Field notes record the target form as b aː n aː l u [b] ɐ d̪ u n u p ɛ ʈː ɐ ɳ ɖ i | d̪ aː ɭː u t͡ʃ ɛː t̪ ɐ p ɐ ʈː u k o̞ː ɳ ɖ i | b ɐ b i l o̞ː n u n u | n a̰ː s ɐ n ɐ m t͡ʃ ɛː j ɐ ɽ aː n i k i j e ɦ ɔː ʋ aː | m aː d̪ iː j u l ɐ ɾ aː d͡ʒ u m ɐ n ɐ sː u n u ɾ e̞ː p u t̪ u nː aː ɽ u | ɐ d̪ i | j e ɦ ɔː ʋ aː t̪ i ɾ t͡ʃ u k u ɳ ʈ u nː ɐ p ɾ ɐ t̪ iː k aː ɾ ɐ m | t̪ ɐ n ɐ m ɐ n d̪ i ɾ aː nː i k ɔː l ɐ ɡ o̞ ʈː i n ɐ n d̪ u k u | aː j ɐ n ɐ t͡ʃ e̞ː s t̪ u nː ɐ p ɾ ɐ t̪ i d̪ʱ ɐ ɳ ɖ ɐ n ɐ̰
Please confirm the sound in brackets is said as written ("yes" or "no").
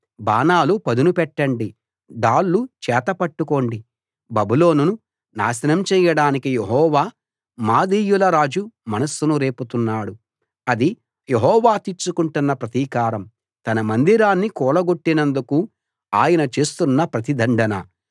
no